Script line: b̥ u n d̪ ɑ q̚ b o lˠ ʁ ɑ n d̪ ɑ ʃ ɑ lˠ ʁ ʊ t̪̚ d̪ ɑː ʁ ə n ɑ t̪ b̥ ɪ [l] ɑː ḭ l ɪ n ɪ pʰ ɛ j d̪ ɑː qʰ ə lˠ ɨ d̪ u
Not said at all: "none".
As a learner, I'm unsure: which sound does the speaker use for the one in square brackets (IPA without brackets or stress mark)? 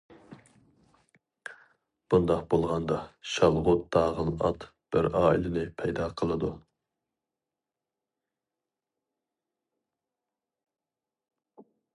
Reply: ɾ